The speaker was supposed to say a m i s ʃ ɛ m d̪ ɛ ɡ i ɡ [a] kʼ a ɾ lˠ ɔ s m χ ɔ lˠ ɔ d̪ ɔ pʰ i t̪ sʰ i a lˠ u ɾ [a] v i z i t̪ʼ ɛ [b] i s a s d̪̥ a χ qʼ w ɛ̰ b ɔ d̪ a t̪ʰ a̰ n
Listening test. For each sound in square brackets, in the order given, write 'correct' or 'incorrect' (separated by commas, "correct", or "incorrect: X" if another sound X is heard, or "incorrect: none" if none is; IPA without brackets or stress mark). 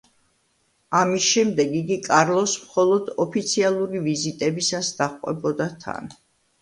incorrect: i, incorrect: i, correct